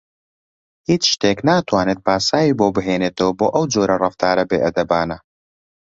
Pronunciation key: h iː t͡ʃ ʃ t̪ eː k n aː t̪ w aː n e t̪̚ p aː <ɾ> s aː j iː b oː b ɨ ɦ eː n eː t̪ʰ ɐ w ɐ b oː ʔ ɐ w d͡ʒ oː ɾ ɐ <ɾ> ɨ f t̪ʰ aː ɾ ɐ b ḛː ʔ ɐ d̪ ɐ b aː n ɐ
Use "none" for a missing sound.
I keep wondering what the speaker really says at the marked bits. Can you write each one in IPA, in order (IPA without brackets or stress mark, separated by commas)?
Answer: none, r